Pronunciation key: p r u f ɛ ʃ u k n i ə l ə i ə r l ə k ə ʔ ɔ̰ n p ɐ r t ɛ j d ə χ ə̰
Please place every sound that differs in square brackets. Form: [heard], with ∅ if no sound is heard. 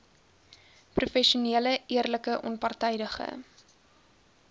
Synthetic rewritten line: p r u f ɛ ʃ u [∅] n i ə l ə i ə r l ə k ə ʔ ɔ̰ n p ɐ r t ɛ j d ə χ ə̰